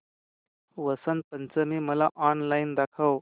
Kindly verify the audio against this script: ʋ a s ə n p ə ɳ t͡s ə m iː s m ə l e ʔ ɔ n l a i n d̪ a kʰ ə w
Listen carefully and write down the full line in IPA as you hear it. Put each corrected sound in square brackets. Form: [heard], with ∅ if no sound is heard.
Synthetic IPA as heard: ʋ [ə] s ə n p ə [n] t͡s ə m iː [∅] m ə l [a] ʔ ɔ n l a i n d̪ a kʰ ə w